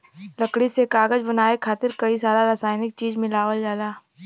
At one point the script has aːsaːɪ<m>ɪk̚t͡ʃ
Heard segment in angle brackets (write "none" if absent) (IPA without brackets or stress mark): n